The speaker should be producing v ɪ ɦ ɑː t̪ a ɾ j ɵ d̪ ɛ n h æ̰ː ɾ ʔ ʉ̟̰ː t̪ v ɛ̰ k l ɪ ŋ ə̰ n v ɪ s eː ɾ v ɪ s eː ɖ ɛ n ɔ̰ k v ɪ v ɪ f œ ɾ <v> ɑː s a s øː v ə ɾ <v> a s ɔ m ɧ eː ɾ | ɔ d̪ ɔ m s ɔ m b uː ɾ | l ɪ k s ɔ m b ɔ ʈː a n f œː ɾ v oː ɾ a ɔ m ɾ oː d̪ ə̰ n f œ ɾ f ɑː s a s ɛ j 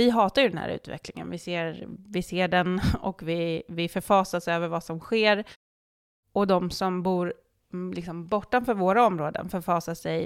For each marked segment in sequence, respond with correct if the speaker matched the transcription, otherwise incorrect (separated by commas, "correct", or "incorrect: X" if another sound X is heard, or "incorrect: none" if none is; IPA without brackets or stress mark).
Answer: incorrect: f, correct